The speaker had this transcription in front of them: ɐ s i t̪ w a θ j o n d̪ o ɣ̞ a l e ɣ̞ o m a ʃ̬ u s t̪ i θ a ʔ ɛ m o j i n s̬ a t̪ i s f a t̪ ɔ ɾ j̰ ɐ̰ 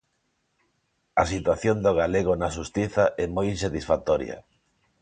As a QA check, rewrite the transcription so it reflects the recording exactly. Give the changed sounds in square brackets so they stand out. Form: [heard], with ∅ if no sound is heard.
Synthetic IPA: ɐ s i t̪ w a θ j o n d̪ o ɣ̞ a l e ɣ̞ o [n] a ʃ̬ u s t̪ i θ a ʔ ɛ m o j i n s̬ a t̪ i s f a t̪ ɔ ɾ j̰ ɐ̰